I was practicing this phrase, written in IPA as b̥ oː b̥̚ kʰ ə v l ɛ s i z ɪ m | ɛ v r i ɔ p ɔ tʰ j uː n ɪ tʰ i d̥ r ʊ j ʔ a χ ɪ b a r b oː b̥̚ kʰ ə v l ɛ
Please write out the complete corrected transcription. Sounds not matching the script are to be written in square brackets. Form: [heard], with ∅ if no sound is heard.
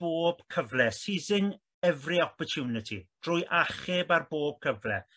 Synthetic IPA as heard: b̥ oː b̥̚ kʰ ə v l ɛ s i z ɪ [ŋ] | ɛ v r i ɔ p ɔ tʰ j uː n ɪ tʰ i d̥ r ʊ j ʔ a χ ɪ b a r b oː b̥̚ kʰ ə v l ɛ